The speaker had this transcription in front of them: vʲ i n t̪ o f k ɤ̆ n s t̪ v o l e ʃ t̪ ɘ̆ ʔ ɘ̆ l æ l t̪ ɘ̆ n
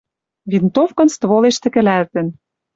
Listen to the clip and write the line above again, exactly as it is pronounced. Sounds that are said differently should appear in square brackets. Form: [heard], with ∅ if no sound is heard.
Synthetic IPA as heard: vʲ i n t̪ o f k ɤ̆ n s t̪ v o l e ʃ t̪ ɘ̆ [k] ɘ̆ l æ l t̪ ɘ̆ n